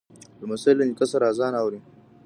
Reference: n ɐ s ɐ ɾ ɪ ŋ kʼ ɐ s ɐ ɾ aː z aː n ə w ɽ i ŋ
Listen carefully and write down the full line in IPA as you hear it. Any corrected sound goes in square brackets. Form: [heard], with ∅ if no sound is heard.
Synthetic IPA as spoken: [m] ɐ s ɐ [l] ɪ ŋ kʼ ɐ s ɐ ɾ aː z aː n [a] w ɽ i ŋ